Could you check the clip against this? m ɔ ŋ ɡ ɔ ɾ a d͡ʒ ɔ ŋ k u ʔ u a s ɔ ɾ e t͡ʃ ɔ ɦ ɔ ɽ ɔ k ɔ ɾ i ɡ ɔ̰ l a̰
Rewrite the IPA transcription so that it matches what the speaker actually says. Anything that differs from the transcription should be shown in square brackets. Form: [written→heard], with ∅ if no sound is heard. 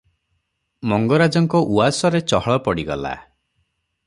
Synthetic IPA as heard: m ɔ ŋ ɡ ɔ ɾ a d͡ʒ ɔ ŋ k [u→ɔ] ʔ u a s ɔ ɾ e t͡ʃ ɔ ɦ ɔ [ɽ→ɭ] ɔ [k→p] ɔ [ɾ→ɽ] i ɡ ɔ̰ l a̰